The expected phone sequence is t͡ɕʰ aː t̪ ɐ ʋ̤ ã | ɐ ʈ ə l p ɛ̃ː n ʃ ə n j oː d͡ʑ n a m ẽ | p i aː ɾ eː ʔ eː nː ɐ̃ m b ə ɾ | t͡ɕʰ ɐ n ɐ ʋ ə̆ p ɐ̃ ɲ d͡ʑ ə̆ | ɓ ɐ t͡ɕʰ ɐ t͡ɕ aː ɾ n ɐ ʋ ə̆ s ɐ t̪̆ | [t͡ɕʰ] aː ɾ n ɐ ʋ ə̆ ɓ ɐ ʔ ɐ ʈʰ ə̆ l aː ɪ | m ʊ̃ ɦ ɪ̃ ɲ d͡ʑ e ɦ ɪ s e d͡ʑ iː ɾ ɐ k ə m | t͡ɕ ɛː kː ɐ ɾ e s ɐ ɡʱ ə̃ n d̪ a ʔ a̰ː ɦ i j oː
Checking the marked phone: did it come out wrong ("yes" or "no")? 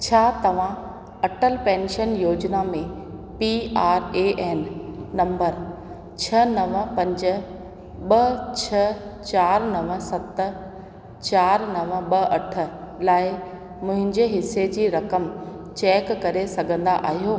yes